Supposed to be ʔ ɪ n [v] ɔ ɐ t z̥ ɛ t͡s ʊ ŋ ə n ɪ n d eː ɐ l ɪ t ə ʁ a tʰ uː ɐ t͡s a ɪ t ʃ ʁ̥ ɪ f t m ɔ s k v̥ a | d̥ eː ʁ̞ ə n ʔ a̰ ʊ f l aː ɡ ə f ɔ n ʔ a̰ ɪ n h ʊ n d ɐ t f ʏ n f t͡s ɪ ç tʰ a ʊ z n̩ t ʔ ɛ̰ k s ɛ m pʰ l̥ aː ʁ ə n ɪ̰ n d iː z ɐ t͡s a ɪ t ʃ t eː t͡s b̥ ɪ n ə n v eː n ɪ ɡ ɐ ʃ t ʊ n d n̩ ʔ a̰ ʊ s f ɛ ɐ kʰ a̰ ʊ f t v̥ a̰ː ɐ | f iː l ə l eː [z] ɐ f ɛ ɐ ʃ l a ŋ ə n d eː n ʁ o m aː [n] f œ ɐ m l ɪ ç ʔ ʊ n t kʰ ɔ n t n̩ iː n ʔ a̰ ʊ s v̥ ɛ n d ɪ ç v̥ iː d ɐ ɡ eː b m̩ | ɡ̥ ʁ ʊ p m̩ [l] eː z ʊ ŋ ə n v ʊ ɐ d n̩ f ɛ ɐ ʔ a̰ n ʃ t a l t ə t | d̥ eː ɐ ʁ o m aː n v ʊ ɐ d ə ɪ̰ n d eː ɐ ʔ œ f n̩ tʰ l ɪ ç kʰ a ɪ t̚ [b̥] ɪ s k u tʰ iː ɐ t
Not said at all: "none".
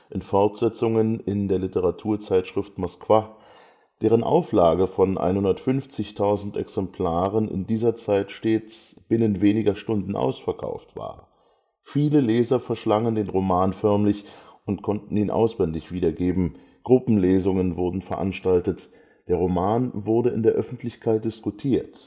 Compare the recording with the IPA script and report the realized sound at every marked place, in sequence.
f, z, n, l, d̥

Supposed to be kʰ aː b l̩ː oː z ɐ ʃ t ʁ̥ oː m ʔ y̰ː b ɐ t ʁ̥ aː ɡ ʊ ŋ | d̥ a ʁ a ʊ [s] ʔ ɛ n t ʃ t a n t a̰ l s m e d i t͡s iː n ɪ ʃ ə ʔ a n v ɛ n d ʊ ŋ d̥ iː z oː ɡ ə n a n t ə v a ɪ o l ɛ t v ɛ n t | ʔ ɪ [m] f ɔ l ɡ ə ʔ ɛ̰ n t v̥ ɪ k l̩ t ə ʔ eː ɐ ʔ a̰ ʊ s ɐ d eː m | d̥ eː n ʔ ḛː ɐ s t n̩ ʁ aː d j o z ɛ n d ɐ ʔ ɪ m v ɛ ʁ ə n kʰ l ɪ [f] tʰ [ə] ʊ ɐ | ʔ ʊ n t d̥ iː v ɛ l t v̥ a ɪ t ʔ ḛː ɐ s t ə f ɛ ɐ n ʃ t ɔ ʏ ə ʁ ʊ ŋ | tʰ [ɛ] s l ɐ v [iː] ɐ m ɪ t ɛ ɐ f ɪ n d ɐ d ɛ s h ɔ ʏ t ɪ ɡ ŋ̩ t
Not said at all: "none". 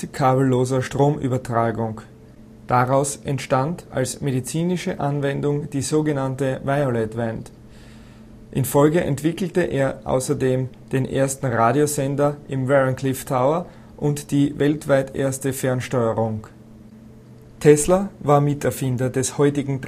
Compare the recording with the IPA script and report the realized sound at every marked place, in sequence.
s, n, f, a, ɛ, aː

